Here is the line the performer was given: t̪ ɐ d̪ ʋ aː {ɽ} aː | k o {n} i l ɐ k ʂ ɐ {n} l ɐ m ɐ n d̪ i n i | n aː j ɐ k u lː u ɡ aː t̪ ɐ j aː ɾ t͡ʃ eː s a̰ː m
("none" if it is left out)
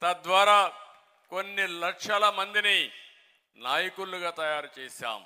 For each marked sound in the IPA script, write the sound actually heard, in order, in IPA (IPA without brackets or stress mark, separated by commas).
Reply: ɾ, nː, none